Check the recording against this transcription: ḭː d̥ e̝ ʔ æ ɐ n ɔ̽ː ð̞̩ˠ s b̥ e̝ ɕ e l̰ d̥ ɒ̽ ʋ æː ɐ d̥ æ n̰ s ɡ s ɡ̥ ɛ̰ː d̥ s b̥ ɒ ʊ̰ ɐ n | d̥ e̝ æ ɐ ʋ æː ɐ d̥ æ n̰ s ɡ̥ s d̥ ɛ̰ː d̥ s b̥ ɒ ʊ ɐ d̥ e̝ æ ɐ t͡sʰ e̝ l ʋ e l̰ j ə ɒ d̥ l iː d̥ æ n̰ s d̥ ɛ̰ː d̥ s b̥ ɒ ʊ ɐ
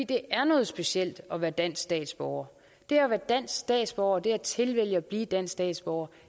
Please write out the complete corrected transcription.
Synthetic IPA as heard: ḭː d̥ e̝ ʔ æ ɐ n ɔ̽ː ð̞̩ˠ s b̥ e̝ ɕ e l̰ d̥ ɒ̽ ʋ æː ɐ d̥ æ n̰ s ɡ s d̥ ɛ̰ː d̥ s b̥ ɒ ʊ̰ ɐ | d̥ e̝ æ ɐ ʋ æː ɐ d̥ æ n̰ s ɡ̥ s d̥ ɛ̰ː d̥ s b̥ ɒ ʊ ɐ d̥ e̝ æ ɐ t͡sʰ e̝ l ʋ e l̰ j ə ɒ b̥ l iː d̥ æ n̰ s d̥ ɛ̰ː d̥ s b̥ ɒ ʊ ɐ